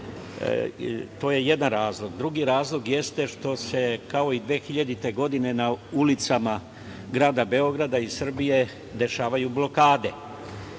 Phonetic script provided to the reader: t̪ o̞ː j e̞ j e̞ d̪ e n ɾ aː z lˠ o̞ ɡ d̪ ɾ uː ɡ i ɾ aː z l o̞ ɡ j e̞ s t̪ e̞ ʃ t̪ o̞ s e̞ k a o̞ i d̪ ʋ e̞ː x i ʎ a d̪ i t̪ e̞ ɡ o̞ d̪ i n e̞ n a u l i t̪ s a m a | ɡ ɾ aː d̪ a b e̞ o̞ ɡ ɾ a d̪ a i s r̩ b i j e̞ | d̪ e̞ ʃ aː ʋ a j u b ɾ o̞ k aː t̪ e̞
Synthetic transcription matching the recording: t̪ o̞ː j e̞ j e̞ d̪ a n ɾ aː z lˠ o̞ ɡ d̪ ɾ u ɡ i ɾ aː z l o̞ ɡ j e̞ s t̪ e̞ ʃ t̪ o̞ s e̞ k a o̞ i d̪ ʋ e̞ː x i ʎ a d̪ i t̪ e̞ ɡ o̞ d̪ i n e̞ n a u l i t̪ s a m a | ɡ ɾ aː d̪ a b e̞ o̞ ɡ ɾ a d̪ a i s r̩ b i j e̞ | d̪ e̞ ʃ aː ʋ a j u b l o̞ k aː d̪ e̞